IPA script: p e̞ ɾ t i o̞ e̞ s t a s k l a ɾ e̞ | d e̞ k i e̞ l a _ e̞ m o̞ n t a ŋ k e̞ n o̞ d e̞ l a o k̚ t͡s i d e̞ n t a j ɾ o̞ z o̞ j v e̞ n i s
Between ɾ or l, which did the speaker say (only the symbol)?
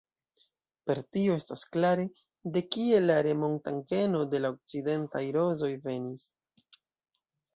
ɾ